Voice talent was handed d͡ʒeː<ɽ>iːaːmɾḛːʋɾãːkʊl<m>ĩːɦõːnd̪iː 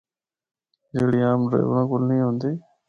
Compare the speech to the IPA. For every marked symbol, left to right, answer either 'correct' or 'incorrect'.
correct, incorrect

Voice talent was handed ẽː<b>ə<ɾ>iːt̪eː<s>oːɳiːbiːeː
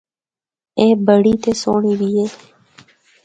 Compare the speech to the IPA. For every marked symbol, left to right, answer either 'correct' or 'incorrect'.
correct, incorrect, correct

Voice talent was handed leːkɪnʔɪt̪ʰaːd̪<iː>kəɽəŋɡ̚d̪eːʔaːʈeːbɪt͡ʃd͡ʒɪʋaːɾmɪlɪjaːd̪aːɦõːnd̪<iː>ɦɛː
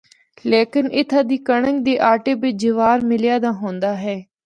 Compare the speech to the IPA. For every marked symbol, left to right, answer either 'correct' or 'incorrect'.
correct, incorrect

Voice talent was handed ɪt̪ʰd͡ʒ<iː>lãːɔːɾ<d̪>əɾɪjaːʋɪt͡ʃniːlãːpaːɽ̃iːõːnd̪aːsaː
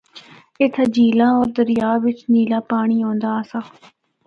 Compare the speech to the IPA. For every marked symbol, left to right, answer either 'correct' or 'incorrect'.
correct, correct

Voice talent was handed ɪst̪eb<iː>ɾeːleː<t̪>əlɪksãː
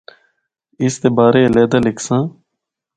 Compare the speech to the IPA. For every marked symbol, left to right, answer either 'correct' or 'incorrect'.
incorrect, incorrect

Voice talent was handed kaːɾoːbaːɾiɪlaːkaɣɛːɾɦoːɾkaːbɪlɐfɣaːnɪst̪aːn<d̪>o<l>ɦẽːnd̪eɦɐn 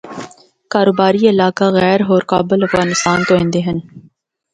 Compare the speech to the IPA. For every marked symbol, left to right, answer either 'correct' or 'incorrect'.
incorrect, incorrect

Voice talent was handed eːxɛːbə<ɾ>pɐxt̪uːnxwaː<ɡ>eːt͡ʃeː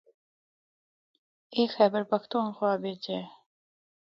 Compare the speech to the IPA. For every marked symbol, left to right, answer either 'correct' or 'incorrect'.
correct, incorrect

